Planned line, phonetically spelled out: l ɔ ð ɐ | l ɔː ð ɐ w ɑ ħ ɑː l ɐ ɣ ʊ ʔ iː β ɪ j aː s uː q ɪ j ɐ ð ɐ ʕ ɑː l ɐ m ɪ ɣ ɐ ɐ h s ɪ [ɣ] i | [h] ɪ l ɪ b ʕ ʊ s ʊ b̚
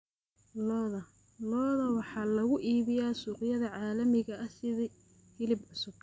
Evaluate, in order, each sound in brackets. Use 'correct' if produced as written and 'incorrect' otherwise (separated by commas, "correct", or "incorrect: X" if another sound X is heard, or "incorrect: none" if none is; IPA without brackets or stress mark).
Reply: incorrect: ð, correct